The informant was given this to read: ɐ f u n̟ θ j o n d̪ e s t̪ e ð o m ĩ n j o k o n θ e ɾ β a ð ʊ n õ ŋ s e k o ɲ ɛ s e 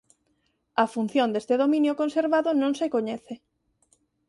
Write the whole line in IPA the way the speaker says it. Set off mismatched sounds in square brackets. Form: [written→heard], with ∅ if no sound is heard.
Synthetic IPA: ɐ f u n̟ θ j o n d̪ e s t̪ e ð o m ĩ n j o k o n [θ→s] e ɾ β a ð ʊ n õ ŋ s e k o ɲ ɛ [s→θ] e